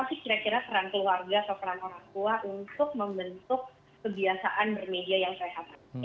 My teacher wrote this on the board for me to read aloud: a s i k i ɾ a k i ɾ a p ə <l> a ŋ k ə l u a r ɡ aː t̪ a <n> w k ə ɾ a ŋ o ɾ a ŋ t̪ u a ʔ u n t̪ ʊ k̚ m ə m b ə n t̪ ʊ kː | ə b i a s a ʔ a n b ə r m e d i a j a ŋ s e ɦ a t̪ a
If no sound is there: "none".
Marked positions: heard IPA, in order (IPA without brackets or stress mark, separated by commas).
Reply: ɾ, none